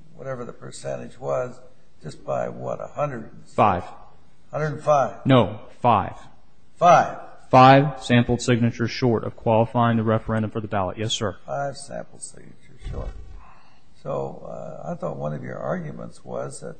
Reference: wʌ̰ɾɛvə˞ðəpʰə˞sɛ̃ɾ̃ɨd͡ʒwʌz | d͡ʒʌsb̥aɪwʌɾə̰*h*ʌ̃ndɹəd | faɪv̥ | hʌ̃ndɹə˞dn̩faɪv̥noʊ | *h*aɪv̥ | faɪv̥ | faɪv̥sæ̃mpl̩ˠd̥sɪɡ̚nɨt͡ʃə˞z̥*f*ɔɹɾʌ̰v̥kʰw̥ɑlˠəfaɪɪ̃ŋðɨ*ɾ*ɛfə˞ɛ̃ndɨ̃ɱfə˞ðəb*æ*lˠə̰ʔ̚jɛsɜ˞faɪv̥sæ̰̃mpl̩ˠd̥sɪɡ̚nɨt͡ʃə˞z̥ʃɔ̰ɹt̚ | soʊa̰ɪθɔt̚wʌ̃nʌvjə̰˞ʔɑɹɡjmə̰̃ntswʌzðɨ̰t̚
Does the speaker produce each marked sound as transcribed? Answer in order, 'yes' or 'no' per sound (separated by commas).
yes, no, no, no, yes